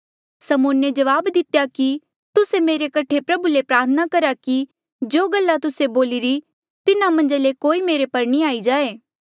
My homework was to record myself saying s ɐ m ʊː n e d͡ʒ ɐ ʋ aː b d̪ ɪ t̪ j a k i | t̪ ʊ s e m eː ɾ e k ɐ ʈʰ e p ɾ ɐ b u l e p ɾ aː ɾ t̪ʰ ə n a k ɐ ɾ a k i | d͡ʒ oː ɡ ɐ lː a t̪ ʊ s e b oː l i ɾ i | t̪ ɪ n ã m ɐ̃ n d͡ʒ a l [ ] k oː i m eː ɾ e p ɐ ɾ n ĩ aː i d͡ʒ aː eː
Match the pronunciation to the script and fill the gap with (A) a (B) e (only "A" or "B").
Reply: B